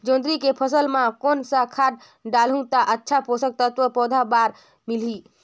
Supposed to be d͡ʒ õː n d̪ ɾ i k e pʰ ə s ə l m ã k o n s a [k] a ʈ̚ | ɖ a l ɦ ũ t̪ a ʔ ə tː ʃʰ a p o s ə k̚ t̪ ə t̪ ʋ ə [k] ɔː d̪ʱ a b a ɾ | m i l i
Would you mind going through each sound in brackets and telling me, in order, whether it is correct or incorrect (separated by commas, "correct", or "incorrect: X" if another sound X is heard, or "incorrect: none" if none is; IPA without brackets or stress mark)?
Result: incorrect: kʰ, incorrect: p